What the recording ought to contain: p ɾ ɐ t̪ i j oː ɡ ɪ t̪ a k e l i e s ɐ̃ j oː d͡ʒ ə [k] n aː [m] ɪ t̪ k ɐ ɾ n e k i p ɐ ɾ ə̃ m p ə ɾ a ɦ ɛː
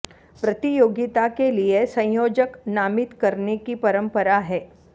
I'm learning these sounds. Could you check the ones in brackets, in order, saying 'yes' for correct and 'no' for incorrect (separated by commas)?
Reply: yes, yes